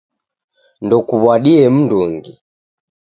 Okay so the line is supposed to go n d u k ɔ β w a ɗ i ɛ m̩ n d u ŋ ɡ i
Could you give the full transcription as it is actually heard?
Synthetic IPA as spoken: n d ɔ k u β w a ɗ i ɛ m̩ n d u ŋ ɡ i